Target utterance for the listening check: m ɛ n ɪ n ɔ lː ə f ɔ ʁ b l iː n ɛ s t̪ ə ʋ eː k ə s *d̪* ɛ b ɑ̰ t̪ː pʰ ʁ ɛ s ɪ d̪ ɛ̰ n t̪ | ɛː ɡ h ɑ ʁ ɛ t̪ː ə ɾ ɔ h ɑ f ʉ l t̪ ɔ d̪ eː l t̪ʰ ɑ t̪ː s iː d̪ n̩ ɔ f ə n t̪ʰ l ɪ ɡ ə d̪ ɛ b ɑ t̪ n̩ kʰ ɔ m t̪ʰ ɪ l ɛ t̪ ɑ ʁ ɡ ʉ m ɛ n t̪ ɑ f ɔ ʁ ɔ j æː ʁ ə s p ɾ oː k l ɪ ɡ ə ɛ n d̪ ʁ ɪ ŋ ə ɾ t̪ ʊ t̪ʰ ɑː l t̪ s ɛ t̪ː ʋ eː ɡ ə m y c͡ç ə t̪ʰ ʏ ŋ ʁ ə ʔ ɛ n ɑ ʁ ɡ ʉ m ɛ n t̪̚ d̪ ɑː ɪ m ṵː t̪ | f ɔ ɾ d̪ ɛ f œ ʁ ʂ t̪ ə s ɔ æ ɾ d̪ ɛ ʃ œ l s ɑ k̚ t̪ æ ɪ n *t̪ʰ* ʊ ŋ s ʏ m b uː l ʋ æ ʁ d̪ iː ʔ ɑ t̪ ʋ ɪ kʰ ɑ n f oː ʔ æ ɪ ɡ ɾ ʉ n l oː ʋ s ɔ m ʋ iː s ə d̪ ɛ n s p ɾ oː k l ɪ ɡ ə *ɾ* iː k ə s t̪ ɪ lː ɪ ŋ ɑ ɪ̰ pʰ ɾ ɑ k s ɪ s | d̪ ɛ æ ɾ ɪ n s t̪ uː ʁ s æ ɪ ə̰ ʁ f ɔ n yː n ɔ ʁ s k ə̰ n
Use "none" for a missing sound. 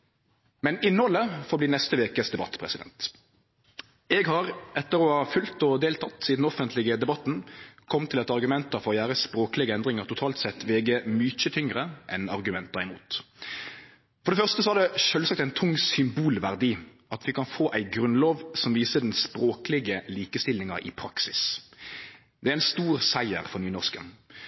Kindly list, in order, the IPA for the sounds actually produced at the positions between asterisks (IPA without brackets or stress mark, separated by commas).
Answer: d̪, t̪ʰ, l